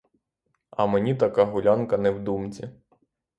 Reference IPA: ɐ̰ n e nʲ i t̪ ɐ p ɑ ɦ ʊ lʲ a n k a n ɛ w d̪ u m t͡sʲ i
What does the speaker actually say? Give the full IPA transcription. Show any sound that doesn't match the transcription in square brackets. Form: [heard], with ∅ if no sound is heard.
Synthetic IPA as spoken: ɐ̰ [m] e nʲ i t̪ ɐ [k] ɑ ɦ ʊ lʲ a n k [ɐ] n ɛ w d̪ u m t͡sʲ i